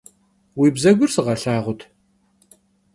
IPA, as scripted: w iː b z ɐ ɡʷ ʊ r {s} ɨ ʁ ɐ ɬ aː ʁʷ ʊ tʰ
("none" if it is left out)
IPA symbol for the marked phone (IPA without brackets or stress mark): s